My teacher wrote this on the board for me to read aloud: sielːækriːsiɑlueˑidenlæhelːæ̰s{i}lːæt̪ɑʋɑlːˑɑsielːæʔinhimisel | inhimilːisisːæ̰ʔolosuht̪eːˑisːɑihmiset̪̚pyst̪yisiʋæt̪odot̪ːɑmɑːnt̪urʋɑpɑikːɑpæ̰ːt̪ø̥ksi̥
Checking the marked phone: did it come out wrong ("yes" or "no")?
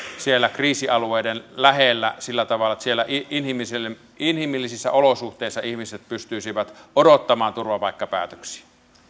no